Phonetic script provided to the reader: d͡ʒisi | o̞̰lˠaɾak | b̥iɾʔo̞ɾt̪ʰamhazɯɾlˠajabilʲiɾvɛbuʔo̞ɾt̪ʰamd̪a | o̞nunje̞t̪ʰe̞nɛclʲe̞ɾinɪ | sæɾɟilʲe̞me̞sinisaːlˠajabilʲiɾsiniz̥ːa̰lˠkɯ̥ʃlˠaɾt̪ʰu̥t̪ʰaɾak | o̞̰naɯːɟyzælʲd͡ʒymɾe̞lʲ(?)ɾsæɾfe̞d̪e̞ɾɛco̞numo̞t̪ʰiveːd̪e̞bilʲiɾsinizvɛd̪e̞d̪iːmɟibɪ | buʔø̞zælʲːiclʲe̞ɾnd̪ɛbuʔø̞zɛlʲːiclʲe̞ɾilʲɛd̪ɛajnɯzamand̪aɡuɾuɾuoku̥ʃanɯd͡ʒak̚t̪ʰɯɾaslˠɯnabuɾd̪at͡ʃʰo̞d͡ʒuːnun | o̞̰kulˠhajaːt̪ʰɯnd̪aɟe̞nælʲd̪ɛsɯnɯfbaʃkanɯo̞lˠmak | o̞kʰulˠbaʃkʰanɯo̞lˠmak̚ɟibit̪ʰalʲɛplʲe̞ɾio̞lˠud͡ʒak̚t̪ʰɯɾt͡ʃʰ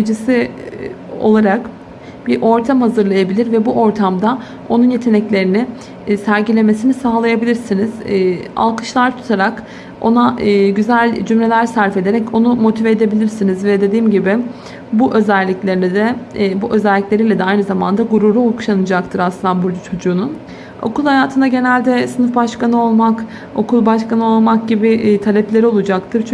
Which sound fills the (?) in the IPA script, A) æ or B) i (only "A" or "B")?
A